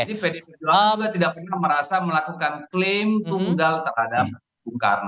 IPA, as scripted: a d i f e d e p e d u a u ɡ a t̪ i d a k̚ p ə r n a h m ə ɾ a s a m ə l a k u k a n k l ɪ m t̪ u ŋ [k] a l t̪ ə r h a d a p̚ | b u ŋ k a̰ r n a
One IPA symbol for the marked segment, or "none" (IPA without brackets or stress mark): ɡ